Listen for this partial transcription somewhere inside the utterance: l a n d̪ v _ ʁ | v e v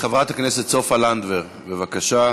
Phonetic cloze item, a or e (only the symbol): e